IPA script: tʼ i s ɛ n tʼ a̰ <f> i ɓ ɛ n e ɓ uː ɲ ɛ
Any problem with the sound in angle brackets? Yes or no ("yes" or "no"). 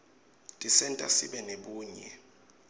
yes